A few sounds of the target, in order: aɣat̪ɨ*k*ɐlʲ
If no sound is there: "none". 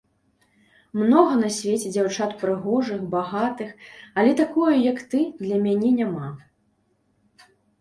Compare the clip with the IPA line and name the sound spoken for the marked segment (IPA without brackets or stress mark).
x